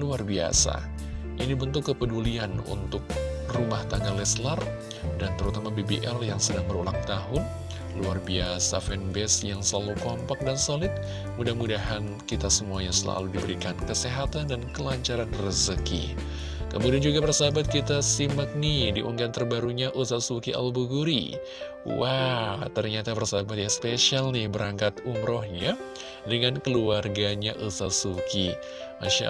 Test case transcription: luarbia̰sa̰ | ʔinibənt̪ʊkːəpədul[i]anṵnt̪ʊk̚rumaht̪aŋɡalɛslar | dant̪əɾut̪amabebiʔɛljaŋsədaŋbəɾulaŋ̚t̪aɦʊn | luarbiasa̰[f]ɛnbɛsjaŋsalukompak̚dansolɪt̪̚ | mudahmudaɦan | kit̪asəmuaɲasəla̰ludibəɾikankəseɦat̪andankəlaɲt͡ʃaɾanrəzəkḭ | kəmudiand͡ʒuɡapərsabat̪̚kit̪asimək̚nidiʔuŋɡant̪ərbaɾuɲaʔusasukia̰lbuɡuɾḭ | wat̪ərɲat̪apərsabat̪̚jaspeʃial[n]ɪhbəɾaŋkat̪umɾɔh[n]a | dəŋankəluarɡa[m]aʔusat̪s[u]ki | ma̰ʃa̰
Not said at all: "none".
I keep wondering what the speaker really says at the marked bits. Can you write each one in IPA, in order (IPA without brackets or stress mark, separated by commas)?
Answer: i, f, n, ɲ, ɲ, u